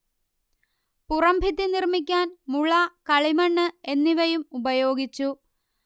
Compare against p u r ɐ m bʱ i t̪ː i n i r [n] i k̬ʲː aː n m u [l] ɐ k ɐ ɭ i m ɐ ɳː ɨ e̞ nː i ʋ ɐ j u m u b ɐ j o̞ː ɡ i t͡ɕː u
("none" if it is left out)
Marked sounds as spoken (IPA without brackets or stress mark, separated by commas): m, ɭ